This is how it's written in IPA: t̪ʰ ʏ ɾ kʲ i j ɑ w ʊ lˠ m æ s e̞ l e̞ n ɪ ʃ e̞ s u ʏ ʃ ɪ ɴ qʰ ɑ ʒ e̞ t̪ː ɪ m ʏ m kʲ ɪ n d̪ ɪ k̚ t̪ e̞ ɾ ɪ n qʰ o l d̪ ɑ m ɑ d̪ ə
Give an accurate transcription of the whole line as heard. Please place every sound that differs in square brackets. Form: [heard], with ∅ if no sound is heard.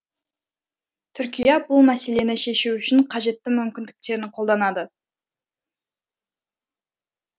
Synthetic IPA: t̪ʰ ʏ ɾ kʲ i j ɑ [b] ʊ lˠ m æ s e̞ l e̞ n ɪ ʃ e̞ [ʃ] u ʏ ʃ ɪ ɴ qʰ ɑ ʒ e̞ t̪ː ɪ m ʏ m kʲ ɪ n d̪ ɪ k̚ t̪ e̞ ɾ ɪ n qʰ o l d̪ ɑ [n] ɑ d̪ ə